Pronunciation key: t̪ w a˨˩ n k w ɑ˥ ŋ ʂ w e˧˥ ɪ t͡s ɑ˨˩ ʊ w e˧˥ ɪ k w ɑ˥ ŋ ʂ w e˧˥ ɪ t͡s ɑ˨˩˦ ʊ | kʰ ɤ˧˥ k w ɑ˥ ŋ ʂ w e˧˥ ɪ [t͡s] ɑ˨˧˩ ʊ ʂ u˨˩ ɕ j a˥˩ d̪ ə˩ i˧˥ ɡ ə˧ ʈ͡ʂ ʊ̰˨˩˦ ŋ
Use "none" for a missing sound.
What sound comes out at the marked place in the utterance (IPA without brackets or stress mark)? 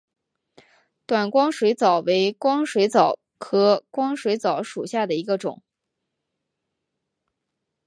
t͡s